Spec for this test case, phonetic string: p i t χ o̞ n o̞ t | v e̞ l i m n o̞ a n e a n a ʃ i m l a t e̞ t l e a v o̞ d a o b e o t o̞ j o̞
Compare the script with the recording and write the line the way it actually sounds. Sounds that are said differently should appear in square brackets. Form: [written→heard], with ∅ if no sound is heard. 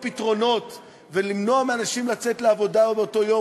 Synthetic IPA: p i t [χ→ʁ] o̞ n o̞ t | v e̞ l i m n o̞ a [n→m] e a n a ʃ i m l a [t→t͡s] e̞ t l e a v o̞ d a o b e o t o̞ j o̞